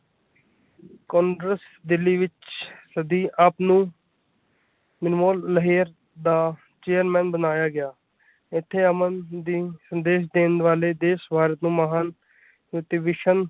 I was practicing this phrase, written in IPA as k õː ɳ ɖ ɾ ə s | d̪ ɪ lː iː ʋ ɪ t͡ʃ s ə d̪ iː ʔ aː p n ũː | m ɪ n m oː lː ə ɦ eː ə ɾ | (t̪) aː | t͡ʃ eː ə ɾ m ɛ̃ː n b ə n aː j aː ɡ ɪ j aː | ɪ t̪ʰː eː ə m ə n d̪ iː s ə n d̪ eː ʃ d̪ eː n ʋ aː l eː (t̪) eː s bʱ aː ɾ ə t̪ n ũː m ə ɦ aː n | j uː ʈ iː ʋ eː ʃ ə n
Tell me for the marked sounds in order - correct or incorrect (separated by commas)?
incorrect, incorrect